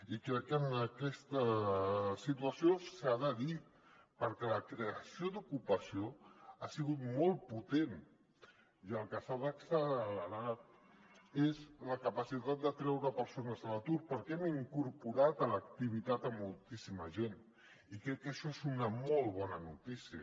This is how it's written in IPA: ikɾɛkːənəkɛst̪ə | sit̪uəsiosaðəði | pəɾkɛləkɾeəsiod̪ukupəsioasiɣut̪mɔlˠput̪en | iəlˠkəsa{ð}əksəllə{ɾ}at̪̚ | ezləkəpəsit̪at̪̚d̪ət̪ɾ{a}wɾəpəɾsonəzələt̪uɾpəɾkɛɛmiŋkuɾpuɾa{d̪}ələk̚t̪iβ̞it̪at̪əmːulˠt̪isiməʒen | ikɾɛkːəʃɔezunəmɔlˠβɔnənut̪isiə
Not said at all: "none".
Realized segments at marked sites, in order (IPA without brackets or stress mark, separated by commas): ð, ɾ, ɛ, t̪